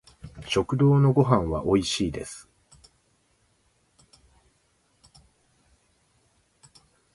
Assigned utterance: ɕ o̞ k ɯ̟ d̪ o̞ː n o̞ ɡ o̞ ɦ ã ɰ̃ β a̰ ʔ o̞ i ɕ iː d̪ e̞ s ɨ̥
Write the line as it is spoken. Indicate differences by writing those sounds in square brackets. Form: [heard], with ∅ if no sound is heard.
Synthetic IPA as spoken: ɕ o̞ k ɯ̟ d̪ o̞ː n o̞ ɡ o̞ ɦ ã ɰ̃ β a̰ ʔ o̞ i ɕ iː d̪ e̞ s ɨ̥

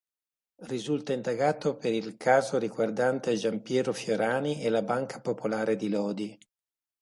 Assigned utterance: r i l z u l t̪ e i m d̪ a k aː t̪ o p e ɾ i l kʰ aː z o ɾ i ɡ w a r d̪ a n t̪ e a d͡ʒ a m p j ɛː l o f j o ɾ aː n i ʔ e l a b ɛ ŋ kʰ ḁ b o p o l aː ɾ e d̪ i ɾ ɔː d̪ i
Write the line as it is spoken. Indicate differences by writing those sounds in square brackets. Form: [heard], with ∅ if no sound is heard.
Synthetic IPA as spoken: r i [∅] z u l t̪ [a] i [n] d̪ a [ɡ] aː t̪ o p e ɾ i l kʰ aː z o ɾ i ɡ w a r d̪ a n t̪ e a d͡ʒ a m p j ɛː [ɾ] o f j o ɾ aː n i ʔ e l a b [a] ŋ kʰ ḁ [p] o p o l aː ɾ e d̪ i [l] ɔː d̪ i

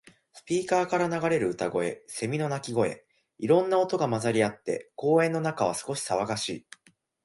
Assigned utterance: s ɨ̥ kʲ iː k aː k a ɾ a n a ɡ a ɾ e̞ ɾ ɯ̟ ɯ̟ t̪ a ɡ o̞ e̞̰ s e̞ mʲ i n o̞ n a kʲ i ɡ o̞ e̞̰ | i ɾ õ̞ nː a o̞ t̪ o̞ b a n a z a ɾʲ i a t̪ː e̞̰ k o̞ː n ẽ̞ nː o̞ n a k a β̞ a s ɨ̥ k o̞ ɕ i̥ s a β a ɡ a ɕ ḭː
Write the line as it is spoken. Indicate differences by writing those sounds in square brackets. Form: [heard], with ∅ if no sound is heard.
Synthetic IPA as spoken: s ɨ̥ [pʲ] iː k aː k a ɾ a n a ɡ a ɾ e̞ ɾ ɯ̟ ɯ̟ t̪ a ɡ o̞ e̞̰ s e̞ mʲ i n o̞ n a kʲ i ɡ o̞ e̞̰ | i ɾ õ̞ nː a o̞ t̪ o̞ [ɡ] a [m] a z a ɾʲ i a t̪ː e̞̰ k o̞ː [∅] ẽ̞ nː o̞ n a k a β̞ a s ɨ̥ k o̞ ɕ i̥ s a β a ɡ a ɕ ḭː

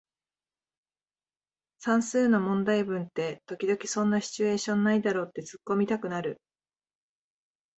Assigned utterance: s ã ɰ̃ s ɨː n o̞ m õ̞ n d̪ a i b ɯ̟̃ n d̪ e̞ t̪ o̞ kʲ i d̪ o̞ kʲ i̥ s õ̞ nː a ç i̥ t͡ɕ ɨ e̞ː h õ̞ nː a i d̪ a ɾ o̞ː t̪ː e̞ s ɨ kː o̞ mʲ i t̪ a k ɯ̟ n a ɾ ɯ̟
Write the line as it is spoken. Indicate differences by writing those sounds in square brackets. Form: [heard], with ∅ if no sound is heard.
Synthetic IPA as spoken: s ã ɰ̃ s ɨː n o̞ m õ̞ n d̪ a i b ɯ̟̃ n [t̪] e̞ t̪ o̞ kʲ i d̪ o̞ kʲ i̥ s õ̞ nː a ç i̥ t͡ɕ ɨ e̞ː [ɕ] õ̞ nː a i d̪ a ɾ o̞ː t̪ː e̞ [t͡s] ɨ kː o̞ mʲ i t̪ a k ɯ̟ n a ɾ ɯ̟

